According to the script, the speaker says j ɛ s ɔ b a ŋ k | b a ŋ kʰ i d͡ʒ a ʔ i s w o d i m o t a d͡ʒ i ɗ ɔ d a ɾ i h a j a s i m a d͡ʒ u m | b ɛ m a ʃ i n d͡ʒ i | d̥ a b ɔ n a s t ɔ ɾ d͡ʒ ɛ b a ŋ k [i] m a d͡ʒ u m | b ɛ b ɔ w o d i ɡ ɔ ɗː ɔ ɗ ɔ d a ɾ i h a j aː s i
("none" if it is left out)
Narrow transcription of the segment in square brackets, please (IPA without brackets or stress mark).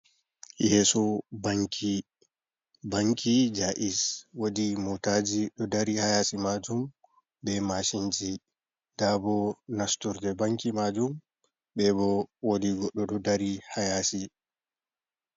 i